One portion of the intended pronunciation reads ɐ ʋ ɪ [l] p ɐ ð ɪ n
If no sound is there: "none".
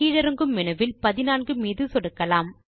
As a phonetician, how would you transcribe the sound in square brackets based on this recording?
l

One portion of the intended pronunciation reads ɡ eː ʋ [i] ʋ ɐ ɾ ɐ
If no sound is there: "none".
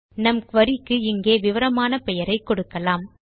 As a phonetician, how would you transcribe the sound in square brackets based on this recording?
ɪ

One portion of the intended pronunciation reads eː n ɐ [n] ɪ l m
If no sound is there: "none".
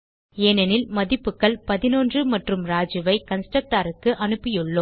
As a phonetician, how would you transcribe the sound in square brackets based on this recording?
n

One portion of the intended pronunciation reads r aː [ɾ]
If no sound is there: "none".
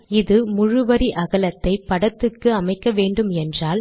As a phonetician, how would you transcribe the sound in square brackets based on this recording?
l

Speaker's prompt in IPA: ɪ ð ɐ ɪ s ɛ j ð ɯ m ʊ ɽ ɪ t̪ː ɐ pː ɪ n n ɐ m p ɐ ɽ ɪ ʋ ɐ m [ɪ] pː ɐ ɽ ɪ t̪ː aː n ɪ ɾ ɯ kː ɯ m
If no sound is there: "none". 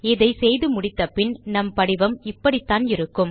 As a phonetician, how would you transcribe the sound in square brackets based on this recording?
ɪ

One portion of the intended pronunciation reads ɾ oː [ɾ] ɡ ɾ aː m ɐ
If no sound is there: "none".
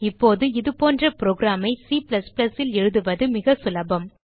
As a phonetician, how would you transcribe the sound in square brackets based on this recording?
none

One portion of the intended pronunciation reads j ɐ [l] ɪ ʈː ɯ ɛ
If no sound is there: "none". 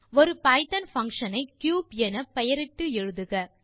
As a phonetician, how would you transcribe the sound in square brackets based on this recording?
ɾ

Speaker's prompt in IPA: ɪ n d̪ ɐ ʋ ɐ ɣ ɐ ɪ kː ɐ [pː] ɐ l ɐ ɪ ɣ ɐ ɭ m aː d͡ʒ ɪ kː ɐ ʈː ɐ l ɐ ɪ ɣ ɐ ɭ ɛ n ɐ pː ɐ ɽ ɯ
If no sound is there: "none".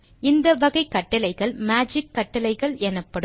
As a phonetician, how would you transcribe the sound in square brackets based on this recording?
ʈː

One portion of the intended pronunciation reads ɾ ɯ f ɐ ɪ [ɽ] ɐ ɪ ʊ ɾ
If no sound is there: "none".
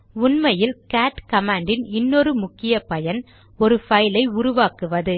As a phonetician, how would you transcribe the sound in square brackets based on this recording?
l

